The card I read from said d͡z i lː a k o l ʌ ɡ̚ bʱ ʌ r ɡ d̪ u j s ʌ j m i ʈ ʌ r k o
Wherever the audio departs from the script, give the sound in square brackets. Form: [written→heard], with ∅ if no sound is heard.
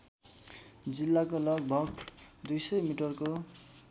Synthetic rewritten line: d͡z i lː a k o l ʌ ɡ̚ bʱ ʌ [r→∅] ɡ d̪ u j s ʌ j m i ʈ ʌ r k o

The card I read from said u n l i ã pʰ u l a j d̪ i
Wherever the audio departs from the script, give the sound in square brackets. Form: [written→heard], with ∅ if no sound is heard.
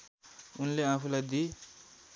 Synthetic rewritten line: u n l [i→e] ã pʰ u l a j d̪ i

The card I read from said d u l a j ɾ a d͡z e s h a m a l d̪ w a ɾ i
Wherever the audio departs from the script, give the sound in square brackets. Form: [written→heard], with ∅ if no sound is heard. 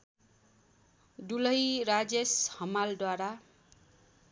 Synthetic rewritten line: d u l [a→ʌ] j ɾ a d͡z e s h [a→ʌ] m a l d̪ w a ɾ [i→a]

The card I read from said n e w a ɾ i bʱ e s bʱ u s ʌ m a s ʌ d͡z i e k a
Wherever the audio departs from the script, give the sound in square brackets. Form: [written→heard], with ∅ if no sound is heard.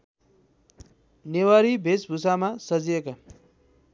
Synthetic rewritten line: n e w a ɾ i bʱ e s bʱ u s [ʌ→a] m a s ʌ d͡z i e k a

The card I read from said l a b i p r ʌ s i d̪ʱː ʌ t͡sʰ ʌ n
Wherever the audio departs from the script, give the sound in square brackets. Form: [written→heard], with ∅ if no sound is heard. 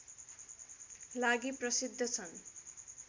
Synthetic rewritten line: l a [b→ɡ] i p r ʌ s i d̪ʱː ʌ t͡sʰ ʌ n

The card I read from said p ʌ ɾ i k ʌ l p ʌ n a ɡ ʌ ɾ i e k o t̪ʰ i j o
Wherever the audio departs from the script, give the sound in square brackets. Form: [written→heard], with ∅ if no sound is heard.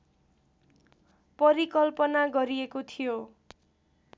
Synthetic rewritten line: p ʌ ɾ i k ʌ l p ʌ n a ɡ ʌ ɾ i e k o t̪ʰ i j o

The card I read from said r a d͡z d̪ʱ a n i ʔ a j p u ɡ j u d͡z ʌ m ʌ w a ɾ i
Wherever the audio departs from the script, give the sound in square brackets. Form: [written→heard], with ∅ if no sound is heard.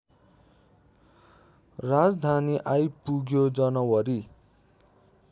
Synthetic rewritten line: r a d͡z d̪ʱ a n i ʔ a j p u ɡ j [u→o] d͡z ʌ [m→n] ʌ w [a→ʌ] ɾ i

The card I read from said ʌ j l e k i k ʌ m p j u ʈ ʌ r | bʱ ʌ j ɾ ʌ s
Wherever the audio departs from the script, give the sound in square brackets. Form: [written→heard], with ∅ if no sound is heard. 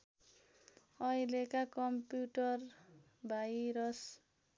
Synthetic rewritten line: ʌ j l e k [i→a] k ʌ m p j u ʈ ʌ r | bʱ [ʌ→a] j ɾ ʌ s

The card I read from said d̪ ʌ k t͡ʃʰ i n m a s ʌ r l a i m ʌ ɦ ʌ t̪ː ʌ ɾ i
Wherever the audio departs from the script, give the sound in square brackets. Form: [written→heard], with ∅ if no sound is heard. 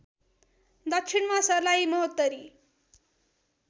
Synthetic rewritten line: d̪ ʌ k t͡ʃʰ i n m a s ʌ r l a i m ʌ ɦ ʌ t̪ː ʌ ɾ i

